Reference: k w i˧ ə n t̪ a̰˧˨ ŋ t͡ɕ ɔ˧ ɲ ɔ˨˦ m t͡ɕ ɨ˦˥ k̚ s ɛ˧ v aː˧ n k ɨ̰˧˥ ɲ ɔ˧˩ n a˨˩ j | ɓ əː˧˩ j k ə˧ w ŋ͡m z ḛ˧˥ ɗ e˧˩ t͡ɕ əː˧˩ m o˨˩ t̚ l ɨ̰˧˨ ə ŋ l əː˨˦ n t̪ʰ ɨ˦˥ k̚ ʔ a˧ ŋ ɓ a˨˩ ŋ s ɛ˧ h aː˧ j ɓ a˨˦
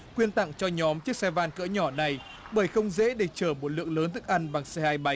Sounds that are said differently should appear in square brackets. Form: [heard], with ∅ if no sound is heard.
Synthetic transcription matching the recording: k w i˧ ə n t̪ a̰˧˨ ŋ t͡ɕ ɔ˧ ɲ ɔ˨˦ m t͡ɕ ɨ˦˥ k̚ s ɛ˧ v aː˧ n k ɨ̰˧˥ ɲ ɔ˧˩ n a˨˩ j | ɓ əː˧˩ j [x] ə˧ w ŋ͡m z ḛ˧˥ ɗ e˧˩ t͡ɕ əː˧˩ m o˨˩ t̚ l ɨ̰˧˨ ə ŋ l əː˨˦ n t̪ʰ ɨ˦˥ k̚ ʔ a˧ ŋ ɓ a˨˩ ŋ s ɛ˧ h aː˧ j ɓ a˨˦

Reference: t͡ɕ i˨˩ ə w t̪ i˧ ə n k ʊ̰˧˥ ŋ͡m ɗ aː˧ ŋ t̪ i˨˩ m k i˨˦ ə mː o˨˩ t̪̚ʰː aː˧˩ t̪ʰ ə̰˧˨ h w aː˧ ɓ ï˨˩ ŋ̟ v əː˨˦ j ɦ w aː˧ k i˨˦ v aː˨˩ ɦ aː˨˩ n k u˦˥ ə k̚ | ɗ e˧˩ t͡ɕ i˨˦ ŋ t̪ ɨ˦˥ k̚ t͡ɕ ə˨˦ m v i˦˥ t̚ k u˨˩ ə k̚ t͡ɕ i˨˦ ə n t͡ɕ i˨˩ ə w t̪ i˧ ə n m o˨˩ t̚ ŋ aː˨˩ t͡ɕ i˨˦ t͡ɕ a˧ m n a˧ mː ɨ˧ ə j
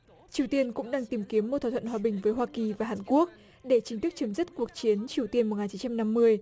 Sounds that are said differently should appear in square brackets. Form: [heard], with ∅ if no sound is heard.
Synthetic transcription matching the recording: t͡ɕ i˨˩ ə w t̪ i˧ ə n k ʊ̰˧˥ ŋ͡m ɗ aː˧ ŋ t̪ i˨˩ m k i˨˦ ə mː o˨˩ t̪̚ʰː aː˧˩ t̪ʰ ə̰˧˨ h w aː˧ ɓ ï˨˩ ŋ̟ v əː˨˦ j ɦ w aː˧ k [i˨˩] v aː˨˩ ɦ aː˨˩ n k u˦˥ ə k̚ | ɗ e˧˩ t͡ɕ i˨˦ ŋ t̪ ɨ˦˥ k̚ t͡ɕ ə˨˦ m [z] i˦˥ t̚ k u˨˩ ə k̚ t͡ɕ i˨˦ ə n t͡ɕ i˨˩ ə w t̪ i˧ ə n m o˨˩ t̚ ŋ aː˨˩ t͡ɕ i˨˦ t͡ɕ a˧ m n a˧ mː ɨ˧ ə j

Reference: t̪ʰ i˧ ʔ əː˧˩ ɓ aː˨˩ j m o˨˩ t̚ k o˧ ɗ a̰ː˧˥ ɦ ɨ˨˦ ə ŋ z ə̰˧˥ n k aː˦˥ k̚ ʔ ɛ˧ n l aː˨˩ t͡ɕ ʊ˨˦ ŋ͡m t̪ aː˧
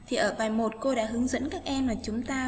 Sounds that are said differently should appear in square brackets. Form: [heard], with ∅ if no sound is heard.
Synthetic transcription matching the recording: t̪ʰ [i˨˩] ʔ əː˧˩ ɓ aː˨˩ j m o˨˩ t̚ k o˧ ɗ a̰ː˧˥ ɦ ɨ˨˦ ə ŋ z ə̰˧˥ n k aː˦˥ k̚ ʔ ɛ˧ [m] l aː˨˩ t͡ɕ ʊ˨˦ ŋ͡m t̪ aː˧

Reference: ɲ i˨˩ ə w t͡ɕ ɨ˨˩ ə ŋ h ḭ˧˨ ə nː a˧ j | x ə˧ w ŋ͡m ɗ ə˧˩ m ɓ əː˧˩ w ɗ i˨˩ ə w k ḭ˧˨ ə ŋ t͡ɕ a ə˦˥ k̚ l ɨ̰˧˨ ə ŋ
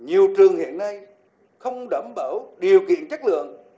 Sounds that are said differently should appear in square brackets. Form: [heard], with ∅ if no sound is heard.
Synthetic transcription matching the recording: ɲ i˨˩ ə w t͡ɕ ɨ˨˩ ə ŋ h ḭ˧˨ ə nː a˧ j | x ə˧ w ŋ͡m ɗ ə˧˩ m ɓ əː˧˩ w ɗ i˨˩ ə w k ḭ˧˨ ə [n] t͡ɕ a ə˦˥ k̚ l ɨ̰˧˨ ə ŋ

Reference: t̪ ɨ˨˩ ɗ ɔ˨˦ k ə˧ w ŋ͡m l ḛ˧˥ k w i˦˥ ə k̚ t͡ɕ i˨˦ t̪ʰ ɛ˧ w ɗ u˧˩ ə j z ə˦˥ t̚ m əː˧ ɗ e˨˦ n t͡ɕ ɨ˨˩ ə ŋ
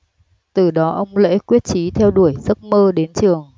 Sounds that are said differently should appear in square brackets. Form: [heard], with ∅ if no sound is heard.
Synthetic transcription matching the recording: t̪ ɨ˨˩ ɗ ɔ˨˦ [ʔ] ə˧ w ŋ͡m l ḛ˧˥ k w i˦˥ ə [t̚] t͡ɕ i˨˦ t̪ʰ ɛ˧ w ɗ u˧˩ ə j z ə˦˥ t̚ m əː˧ ɗ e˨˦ n t͡ɕ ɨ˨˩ ə ŋ

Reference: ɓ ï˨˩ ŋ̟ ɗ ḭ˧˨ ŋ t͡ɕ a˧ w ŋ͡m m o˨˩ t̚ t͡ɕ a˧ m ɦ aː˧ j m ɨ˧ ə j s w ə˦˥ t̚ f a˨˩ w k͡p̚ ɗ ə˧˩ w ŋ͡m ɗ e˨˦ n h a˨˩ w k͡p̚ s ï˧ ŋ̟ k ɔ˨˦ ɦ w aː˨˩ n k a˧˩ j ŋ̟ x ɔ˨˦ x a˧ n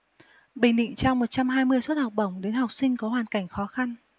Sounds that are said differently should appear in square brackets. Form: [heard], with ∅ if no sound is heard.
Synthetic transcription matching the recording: ɓ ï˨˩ ŋ̟ ɗ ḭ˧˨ ŋ t͡ɕ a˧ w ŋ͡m m o˨˩ t̚ t͡ɕ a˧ m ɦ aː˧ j m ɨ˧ ə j s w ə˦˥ t̚ [h] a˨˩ w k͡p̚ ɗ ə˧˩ w ŋ͡m ɗ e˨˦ n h a˨˩ w k͡p̚ s ï˧ ŋ̟ k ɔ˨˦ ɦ w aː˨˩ n k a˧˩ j ŋ̟ x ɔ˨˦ x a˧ n

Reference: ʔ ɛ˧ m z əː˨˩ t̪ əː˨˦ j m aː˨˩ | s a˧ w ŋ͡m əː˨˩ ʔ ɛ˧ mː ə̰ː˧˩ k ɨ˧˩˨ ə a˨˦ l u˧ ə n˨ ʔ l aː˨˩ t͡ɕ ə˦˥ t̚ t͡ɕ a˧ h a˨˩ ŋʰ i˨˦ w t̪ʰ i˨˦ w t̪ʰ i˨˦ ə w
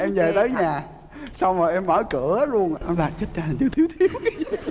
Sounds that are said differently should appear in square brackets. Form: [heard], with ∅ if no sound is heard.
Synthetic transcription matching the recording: ʔ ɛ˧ m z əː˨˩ t̪ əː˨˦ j [ɲ] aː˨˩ | s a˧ w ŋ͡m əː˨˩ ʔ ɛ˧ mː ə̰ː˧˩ k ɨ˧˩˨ ə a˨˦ l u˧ ə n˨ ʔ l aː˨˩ t͡ɕ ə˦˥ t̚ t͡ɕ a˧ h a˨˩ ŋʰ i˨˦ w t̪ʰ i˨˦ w t̪ʰ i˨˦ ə w

